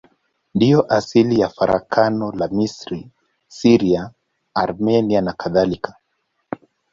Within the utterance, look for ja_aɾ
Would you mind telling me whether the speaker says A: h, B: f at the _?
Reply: B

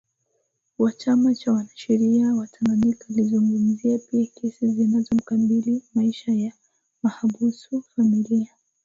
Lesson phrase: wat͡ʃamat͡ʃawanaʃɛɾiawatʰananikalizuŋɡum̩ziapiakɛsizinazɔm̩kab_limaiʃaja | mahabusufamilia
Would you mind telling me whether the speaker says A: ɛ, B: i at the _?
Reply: B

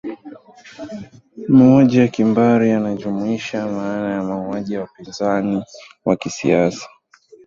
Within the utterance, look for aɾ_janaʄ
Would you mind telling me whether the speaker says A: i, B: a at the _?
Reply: A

